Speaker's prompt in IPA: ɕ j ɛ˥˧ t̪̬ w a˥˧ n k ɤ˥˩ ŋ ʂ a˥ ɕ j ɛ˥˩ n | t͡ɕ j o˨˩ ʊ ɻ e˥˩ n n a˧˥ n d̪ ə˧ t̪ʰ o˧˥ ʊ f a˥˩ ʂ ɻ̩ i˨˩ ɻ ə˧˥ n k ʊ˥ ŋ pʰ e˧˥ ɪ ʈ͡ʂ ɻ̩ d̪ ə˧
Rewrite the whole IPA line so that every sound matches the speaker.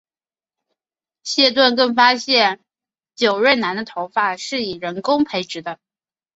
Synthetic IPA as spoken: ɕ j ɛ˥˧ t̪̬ w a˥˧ n k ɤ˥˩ ŋ f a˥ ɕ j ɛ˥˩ n | t͡ɕ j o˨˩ ʊ ɻ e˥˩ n n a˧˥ n d̪ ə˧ t̪ʰ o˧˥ ʊ f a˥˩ ʂ ɻ̩ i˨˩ ɻ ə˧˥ n k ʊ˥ ŋ pʰ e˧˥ ɪ ʈ͡ʂ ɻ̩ d̪ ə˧